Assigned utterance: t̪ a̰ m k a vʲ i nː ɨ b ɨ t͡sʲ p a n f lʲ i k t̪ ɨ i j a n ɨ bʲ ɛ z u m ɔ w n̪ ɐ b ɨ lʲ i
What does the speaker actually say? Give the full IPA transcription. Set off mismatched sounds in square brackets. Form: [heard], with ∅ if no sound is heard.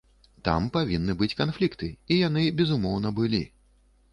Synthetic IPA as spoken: t̪ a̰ m [p] a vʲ i nː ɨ b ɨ t͡sʲ [k] a n f lʲ i k t̪ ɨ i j a n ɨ bʲ ɛ z u m ɔ w n̪ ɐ b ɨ lʲ i